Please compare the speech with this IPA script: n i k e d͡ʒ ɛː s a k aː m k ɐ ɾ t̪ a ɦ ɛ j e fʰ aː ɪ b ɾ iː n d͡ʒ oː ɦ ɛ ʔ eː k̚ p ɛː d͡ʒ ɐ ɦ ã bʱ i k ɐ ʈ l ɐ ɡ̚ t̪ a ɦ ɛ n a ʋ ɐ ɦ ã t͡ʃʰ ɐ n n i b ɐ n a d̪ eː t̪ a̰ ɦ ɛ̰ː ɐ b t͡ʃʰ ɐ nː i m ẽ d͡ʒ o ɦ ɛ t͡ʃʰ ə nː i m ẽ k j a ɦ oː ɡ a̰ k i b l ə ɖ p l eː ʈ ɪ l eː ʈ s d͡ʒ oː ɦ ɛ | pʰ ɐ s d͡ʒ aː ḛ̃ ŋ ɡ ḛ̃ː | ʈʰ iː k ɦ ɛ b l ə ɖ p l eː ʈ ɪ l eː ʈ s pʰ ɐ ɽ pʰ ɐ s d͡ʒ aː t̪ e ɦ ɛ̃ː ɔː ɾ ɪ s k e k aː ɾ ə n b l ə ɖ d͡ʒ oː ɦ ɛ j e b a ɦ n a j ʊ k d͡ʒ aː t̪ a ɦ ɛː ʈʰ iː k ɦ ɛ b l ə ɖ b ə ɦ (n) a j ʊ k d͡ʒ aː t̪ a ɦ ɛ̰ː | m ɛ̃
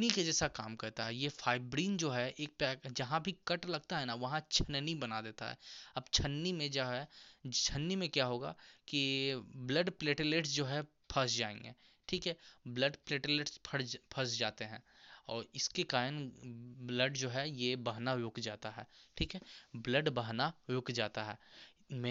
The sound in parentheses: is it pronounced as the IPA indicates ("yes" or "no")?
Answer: yes